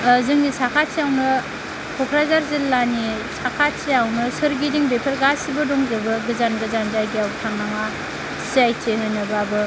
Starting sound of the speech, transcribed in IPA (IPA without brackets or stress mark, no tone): z